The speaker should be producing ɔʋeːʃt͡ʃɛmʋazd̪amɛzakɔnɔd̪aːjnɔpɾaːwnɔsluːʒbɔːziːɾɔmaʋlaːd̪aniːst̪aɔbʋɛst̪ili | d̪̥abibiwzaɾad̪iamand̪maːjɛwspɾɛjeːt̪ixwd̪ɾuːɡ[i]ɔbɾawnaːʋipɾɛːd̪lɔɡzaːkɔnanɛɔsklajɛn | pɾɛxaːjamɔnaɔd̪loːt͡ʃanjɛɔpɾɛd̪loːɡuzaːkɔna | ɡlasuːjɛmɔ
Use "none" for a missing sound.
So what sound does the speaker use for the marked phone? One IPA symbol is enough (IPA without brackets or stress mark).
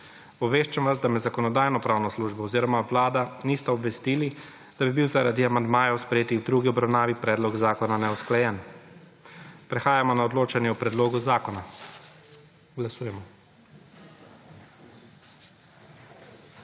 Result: i